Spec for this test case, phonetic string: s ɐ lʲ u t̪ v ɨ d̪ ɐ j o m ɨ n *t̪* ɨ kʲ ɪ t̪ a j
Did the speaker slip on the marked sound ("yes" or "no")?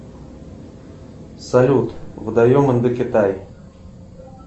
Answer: yes